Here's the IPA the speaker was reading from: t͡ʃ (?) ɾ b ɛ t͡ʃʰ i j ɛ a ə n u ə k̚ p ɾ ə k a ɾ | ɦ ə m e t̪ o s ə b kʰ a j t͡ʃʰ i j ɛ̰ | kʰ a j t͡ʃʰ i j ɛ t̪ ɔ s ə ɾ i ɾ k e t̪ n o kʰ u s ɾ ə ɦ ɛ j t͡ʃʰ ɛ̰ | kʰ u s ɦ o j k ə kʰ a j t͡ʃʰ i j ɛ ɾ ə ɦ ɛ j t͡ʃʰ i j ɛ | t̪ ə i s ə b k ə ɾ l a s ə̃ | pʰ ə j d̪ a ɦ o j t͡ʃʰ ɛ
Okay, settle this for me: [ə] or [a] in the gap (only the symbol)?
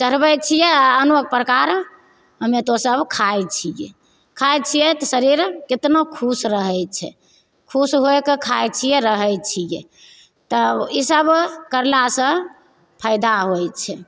ə